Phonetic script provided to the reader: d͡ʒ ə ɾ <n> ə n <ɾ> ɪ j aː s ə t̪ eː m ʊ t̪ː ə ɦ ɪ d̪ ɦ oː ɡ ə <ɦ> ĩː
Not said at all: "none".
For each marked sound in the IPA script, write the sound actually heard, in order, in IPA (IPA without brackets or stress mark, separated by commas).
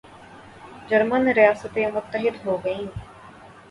m, ɾ, none